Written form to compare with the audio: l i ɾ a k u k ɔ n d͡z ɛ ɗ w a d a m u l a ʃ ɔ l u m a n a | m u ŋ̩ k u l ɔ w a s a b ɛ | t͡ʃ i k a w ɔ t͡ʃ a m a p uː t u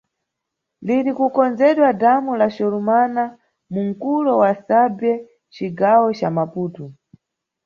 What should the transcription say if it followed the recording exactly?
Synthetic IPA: l i ɾ i k u k ɔ n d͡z ɛ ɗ w a d a m u l a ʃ ɔ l u m a n a | m u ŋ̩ k u l ɔ w a s a b ɛ | t͡ʃ i ɡ a w ɔ t͡ʃ a m a p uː t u